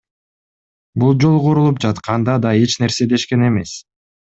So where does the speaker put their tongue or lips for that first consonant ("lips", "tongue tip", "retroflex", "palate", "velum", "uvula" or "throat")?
lips